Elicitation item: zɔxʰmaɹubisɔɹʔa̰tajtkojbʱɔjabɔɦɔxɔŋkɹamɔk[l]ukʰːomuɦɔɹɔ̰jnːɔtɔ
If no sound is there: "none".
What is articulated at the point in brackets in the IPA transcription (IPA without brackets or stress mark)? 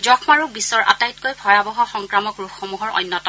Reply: ɹ